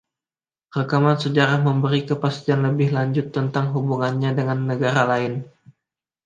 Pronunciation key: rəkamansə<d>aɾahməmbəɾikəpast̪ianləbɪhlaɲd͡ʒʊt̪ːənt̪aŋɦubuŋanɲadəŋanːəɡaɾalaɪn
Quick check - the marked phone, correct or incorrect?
incorrect